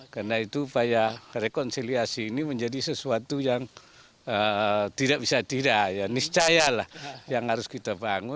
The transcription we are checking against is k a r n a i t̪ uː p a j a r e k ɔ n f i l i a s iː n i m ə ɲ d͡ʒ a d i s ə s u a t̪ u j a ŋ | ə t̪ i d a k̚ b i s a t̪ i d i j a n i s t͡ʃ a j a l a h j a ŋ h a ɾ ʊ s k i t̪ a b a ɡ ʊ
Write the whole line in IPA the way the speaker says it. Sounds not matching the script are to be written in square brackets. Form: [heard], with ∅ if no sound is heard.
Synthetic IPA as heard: k a r n a i t̪ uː p a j a r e k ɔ n [s] i l i a s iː n i m ə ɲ d͡ʒ a d i s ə s u a t̪ u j a ŋ | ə t̪ i d a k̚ b i s a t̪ i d [a] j a n i s t͡ʃ a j a l a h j a ŋ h a ɾ ʊ s k i t̪ a b a [ŋ] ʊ

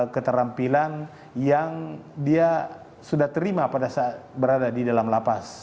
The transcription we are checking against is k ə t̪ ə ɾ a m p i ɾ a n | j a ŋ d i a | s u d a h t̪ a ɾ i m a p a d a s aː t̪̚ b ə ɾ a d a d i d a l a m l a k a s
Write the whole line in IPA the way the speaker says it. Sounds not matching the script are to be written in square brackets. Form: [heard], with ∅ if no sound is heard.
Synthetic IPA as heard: k ə t̪ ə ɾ a m p i [l] a n | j a ŋ d i a | s u d a h t̪ [ə] ɾ i m a p a d a s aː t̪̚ b ə ɾ a d a d i d a l a m l a [p] a s

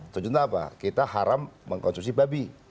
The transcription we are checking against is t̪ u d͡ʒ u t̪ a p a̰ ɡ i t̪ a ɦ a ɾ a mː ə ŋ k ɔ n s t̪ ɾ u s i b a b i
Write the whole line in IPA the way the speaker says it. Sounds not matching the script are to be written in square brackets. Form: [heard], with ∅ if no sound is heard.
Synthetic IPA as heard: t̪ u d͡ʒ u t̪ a p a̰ [k] i t̪ a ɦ a ɾ a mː ə ŋ k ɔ n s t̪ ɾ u s i b a b i

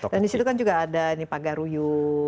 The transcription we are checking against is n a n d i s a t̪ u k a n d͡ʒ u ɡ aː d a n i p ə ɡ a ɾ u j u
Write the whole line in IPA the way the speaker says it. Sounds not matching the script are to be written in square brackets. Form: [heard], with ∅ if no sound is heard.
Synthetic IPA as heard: [d] a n d i s [i] t̪ u k a n d͡ʒ u ɡ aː d a n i p [a] ɡ a ɾ u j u

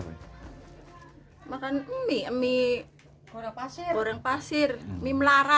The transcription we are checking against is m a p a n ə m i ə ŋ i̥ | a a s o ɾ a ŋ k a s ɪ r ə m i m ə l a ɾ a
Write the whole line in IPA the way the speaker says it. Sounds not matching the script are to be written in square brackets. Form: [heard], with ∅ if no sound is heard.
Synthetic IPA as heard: m a [k] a n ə m i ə [m] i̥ | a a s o ɾ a ŋ [p] a s ɪ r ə m i m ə l a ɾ a

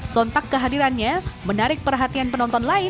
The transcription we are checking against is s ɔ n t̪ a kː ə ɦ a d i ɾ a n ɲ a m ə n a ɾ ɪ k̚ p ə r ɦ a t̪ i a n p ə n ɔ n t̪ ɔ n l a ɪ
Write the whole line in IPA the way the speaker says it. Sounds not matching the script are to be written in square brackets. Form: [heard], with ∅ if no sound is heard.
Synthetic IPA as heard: s ɔ n t̪ a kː ə ɦ a d i ɾ a n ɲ a m ə n a ɾ ɪ k̚ p ə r ɦ a t̪ i a n p ə n ɔ n t̪ ɔ n l a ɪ

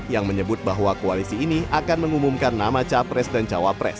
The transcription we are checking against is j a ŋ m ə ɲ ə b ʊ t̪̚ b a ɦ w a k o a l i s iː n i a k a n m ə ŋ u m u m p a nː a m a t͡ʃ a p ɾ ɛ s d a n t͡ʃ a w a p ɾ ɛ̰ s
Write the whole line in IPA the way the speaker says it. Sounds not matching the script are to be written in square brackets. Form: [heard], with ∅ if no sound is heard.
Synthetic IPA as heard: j a ŋ m ə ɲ ə b ʊ t̪̚ b a ɦ w a k o a l i s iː n i a k a n m ə ŋ u m u m [k] a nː a m a t͡ʃ a p ɾ ɛ s d a n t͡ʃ a w a p ɾ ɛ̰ s

